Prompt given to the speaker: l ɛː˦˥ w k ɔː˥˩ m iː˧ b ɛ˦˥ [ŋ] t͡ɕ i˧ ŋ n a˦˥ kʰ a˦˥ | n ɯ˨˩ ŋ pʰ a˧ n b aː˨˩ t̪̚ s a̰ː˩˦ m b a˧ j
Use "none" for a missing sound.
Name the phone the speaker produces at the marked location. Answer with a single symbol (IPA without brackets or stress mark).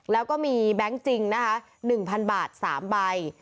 ŋ